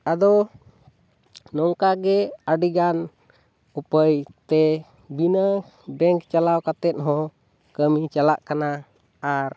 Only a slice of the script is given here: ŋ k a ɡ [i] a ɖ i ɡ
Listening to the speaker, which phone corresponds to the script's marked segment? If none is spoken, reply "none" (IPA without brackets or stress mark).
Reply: ɛ